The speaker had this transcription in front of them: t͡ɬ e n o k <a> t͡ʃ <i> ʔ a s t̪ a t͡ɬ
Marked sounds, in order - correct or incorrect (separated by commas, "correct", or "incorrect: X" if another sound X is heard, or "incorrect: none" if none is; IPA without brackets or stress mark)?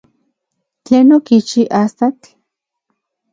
incorrect: i, correct